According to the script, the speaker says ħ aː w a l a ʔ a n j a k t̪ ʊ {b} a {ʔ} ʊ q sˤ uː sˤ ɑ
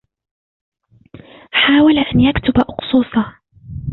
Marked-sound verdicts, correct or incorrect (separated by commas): correct, correct